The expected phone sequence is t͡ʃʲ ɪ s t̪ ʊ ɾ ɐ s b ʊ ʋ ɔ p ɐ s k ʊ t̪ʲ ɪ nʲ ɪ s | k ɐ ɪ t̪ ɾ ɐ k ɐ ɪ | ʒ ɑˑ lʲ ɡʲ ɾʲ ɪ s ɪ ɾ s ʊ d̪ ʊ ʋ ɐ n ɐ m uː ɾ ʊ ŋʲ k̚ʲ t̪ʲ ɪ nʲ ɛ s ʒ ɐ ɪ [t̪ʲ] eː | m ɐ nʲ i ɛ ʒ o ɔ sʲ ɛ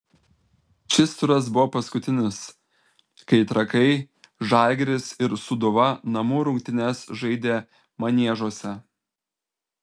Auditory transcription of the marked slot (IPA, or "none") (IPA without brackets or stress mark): d̪ʲ